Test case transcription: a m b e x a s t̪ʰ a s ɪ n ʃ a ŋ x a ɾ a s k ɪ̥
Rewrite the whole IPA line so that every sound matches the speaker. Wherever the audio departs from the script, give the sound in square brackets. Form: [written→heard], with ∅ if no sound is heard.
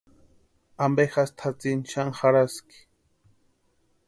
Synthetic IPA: a m b e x a s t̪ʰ a [s→t͡s] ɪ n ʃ a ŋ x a ɾ a s k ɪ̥